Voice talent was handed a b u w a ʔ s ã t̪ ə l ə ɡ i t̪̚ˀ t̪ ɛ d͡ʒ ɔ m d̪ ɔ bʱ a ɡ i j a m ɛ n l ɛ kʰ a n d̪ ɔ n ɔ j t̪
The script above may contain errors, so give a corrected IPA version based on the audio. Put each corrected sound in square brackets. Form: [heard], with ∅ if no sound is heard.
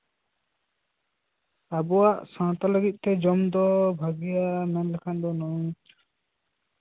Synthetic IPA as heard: a b [ɔ] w a ʔ s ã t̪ [a] l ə ɡ i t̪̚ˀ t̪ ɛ d͡ʒ ɔ m d̪ ɔ bʱ a ɡ i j a m ɛ n l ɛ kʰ a n d̪ ɔ n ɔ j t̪